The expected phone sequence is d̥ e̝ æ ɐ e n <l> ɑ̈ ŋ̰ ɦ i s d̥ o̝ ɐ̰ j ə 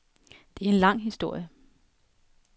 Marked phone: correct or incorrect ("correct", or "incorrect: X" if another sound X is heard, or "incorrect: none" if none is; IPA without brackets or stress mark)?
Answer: correct